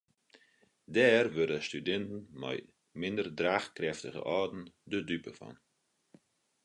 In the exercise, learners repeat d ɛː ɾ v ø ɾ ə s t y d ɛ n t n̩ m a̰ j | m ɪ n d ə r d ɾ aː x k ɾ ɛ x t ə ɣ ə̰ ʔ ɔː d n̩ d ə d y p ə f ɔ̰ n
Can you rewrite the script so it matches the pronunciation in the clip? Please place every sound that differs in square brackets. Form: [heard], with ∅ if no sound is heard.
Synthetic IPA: d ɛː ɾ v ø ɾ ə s t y d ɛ n t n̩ m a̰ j | m ɪ n d ə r d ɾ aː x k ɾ ɛ [f] t ə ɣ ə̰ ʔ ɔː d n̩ d ə d y p ə f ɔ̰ n